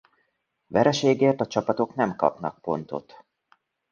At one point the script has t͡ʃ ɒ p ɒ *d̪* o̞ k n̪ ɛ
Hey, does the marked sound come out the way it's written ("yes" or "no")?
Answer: no